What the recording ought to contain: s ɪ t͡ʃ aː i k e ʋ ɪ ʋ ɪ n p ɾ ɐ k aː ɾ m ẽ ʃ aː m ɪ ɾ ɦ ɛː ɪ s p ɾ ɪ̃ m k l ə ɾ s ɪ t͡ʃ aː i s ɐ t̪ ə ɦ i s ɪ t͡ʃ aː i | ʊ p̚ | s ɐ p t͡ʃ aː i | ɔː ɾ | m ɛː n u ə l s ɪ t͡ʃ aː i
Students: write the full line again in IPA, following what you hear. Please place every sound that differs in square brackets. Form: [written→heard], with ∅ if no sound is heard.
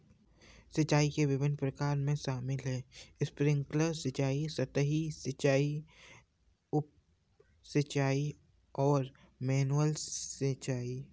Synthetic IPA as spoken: s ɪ t͡ʃ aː i k e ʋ ɪ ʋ ɪ n p ɾ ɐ k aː ɾ m ẽ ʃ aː m ɪ [ɾ→l] ɦ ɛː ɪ s p ɾ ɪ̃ [m→ŋ] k l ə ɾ s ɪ t͡ʃ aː i s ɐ t̪ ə ɦ i s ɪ t͡ʃ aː i | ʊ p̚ | s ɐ [p→∅] t͡ʃ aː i | ɔː ɾ | m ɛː n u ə l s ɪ t͡ʃ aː i